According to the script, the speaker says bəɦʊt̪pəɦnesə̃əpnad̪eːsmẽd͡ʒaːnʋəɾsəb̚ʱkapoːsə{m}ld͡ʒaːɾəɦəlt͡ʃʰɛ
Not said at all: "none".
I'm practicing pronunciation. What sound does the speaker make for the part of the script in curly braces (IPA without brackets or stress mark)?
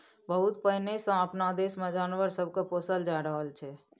none